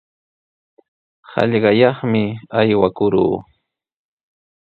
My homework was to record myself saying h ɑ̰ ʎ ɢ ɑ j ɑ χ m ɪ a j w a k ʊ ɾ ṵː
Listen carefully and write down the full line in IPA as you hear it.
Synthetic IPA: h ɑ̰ ʎ ɢ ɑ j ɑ χ m ɪ a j w a k ʊ ɾ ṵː